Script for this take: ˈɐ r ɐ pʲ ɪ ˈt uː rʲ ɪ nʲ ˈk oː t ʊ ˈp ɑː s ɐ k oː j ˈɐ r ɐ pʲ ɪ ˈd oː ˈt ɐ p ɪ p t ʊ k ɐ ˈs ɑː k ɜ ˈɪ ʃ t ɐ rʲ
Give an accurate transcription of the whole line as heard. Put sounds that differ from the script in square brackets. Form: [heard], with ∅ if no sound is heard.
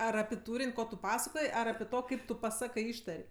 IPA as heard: ˈɐ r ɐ pʲ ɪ ˈt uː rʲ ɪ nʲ ˈk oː t ʊ ˈp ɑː s ɐ k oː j ˈɐ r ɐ pʲ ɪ [ˈt] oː [ˈk] ɐ [∅] ɪ p t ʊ [p] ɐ ˈs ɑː k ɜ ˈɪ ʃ t ɐ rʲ